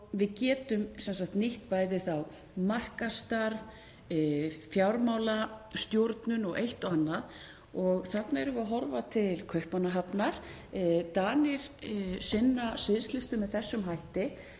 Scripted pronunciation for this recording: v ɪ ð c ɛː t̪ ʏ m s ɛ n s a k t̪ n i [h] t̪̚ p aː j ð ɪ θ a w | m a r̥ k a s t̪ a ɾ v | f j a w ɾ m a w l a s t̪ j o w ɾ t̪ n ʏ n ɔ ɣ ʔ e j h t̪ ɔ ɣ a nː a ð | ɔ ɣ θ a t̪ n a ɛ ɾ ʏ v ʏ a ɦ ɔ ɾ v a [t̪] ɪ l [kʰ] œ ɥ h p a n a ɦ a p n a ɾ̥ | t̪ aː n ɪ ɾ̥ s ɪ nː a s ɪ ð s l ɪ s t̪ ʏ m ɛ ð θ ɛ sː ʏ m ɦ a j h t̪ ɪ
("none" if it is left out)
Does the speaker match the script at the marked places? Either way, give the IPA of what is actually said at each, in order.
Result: h, t̪ʰ, kʰ

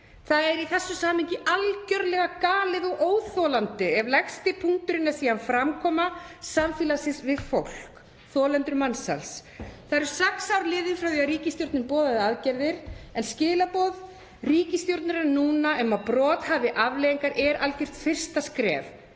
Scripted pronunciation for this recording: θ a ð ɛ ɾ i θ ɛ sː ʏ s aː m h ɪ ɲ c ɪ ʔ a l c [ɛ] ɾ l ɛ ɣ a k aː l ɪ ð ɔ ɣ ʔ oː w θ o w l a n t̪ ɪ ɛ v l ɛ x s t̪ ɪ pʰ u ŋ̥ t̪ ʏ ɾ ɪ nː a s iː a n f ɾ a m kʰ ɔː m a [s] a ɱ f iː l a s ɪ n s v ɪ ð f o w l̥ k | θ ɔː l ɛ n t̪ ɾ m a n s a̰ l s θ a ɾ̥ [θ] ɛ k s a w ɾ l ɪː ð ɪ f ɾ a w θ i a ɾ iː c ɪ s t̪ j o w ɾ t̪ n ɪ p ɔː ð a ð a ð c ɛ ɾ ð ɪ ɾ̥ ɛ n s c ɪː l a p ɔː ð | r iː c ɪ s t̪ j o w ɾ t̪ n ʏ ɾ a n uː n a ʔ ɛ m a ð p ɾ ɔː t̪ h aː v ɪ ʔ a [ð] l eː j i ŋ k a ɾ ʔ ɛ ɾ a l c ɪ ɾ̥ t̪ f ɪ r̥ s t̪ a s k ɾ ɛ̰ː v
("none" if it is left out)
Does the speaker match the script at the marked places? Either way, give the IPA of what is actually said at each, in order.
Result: œ, s, s, v

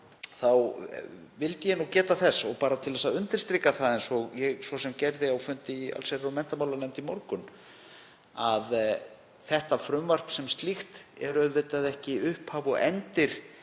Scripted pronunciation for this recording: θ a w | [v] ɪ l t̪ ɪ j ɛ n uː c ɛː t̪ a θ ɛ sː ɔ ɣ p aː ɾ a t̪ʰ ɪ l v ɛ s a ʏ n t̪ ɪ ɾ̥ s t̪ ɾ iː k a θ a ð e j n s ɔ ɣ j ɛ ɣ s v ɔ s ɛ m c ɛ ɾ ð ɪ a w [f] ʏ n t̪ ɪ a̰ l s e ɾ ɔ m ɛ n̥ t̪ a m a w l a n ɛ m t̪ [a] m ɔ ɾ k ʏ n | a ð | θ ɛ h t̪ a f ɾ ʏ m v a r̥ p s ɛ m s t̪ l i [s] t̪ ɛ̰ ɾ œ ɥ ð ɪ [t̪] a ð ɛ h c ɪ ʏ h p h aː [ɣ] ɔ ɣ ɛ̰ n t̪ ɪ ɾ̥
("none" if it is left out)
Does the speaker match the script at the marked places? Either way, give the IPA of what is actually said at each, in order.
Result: v, f, i, x, t̪, v

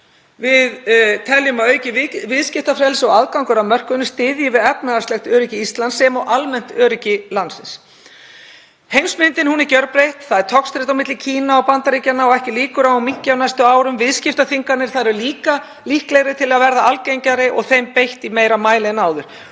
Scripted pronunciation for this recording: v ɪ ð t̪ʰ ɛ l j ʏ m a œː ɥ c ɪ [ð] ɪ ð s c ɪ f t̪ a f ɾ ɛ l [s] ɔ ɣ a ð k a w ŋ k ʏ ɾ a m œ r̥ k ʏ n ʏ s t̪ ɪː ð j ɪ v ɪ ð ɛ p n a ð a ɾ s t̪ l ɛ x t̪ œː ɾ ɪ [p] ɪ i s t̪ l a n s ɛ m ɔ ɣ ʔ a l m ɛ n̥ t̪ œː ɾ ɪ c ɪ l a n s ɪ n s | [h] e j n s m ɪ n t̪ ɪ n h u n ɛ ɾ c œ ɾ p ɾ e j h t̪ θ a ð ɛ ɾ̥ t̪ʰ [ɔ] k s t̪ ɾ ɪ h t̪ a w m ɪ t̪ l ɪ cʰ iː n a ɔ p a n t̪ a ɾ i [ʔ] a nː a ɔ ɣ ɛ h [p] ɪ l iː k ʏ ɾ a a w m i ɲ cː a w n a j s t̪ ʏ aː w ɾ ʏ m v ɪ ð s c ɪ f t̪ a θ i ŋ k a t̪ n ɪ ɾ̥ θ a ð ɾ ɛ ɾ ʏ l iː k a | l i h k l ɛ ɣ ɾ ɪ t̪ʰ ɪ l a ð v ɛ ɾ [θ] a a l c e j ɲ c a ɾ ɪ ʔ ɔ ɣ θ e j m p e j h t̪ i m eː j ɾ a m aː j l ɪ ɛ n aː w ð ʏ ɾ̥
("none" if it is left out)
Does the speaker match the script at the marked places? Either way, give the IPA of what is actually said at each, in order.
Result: v, s, c, h, ɔ, c, c, ð

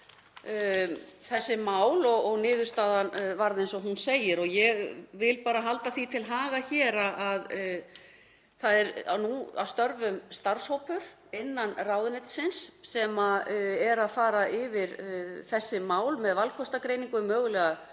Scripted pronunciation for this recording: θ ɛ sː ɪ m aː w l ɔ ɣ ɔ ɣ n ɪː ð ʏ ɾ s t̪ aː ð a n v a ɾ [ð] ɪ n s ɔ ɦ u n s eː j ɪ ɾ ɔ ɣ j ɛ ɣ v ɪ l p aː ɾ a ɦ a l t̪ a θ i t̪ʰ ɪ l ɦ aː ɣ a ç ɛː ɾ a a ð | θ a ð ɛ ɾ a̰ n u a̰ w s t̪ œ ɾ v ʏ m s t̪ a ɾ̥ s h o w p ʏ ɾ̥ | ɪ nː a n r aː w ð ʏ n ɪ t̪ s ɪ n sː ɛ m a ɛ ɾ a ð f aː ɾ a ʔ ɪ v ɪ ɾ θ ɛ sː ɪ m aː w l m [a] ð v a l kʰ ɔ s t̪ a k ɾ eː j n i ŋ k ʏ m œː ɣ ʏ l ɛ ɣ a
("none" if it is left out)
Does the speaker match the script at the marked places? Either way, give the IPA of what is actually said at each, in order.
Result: ð, ɛ

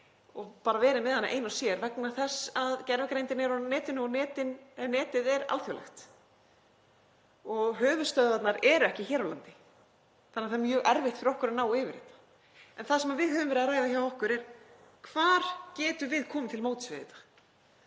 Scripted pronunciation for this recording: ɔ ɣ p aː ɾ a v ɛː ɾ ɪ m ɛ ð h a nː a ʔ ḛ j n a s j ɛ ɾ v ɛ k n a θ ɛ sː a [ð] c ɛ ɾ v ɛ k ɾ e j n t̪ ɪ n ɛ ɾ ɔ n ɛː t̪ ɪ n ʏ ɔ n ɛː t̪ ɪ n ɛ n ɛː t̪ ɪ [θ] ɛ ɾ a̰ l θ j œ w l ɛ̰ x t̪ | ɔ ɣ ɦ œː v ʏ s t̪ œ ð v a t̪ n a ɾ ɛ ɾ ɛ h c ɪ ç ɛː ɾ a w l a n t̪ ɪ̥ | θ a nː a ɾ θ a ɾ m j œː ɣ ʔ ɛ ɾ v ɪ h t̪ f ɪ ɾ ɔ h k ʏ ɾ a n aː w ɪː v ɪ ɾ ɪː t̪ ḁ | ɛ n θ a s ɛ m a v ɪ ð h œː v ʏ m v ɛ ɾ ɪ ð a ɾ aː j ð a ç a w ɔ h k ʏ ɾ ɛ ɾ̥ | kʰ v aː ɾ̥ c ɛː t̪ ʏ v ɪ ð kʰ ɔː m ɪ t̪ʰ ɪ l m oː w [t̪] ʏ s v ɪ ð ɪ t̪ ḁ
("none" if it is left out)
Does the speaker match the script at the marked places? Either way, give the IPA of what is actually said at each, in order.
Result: ð, ð, t̪

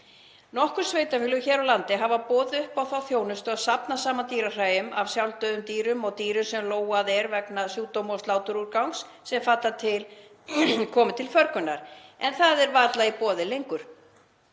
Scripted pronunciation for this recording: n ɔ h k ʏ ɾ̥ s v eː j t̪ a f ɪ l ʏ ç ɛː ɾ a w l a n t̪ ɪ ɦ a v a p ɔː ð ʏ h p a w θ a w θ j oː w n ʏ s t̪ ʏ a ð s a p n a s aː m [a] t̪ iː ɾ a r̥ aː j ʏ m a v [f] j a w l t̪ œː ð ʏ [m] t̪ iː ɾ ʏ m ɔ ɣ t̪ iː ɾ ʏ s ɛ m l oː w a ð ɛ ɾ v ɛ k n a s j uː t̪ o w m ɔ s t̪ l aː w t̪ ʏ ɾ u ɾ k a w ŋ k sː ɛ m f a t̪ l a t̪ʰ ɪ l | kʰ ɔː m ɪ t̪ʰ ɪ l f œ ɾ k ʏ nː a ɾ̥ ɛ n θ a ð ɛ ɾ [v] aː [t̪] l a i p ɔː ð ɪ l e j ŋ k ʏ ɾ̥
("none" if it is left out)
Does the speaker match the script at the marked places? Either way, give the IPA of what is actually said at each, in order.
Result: a, s, m, v, t̪

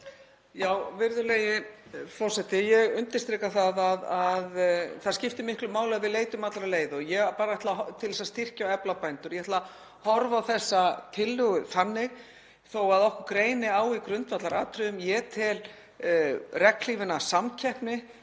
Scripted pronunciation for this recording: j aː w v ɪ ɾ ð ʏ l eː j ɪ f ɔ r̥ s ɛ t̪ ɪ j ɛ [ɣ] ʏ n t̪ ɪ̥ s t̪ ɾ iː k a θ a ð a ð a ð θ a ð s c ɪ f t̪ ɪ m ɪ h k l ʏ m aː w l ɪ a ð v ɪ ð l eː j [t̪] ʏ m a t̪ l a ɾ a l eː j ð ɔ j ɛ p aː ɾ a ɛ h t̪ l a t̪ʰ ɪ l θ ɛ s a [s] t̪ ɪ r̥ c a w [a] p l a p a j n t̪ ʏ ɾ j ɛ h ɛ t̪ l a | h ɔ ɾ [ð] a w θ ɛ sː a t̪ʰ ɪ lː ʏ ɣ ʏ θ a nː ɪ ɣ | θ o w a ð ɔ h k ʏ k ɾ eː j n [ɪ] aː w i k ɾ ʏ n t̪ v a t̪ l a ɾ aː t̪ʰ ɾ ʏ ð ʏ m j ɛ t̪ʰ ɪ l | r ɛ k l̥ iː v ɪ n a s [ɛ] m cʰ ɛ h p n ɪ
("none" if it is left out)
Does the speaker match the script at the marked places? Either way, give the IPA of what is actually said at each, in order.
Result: ɣ, t̪, s, ɛ, v, ɪ, a

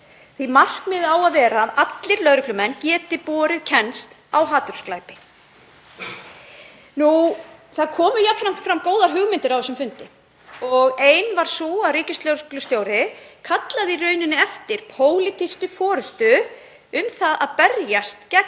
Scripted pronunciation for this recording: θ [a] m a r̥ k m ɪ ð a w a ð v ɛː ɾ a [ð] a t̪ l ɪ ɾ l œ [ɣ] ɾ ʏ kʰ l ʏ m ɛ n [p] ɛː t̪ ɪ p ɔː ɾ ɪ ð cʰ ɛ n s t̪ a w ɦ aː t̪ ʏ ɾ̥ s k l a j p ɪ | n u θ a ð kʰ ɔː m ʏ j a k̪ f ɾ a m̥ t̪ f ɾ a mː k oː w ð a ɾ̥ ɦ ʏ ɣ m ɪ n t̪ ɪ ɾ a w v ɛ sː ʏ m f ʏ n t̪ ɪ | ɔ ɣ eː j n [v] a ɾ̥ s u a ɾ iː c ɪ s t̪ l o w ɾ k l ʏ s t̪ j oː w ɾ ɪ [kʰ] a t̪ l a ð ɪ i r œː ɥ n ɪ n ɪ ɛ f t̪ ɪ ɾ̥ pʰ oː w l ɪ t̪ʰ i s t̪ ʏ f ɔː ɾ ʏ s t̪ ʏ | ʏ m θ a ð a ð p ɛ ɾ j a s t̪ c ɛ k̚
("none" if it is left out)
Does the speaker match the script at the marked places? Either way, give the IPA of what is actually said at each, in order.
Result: i, ð, ð, c, v, kʰ

